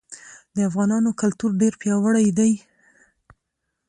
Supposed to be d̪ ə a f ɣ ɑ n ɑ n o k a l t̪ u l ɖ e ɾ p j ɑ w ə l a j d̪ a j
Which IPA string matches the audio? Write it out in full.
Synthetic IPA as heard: d̪ ə a f ɣ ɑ n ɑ n o k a l t̪ u ɾ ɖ e ɾ p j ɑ w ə ɽ a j d̪ a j